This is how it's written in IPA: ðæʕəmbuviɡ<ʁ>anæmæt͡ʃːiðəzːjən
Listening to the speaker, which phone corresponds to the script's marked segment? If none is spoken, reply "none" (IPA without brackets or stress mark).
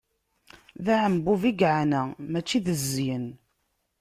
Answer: ʕ